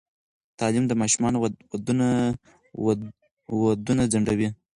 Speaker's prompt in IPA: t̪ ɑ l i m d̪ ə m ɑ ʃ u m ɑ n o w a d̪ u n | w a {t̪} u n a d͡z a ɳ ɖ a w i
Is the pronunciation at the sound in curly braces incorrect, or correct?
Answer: incorrect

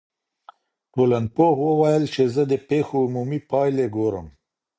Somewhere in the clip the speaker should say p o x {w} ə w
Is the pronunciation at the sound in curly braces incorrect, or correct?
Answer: correct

